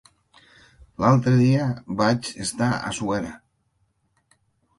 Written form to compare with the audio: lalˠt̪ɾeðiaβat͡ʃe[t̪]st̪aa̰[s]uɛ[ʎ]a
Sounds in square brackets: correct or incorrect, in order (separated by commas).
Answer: incorrect, correct, incorrect